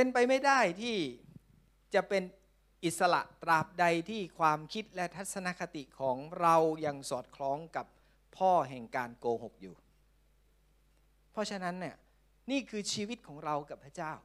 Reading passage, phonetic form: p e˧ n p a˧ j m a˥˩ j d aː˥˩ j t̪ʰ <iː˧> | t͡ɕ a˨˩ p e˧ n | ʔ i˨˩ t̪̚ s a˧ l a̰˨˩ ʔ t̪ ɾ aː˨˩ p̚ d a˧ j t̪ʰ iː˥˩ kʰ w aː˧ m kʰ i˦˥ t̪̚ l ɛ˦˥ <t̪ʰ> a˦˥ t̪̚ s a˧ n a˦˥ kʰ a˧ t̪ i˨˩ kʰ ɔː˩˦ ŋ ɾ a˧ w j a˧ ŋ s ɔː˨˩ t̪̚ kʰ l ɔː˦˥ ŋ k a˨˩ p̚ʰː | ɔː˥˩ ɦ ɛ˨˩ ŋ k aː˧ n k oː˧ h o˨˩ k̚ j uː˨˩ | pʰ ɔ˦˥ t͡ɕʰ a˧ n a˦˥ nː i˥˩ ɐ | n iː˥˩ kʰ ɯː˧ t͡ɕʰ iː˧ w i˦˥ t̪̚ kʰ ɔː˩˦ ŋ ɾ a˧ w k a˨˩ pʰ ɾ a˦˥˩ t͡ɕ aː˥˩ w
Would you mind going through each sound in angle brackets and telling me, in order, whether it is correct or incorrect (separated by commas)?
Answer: incorrect, correct